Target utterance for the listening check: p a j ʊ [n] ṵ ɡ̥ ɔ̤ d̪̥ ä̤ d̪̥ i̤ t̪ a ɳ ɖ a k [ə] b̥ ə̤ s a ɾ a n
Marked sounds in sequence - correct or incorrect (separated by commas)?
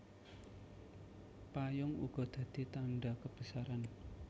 incorrect, correct